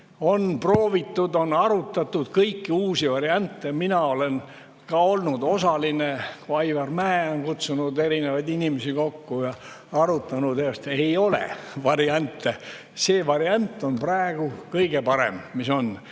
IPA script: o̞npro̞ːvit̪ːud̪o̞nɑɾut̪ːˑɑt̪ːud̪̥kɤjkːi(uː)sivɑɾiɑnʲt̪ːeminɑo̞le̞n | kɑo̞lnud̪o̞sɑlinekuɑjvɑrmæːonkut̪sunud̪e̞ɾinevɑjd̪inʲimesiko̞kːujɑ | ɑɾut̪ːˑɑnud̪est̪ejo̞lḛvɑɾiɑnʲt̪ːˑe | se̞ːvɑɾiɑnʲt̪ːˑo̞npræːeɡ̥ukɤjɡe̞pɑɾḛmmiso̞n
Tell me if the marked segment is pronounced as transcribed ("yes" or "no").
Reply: yes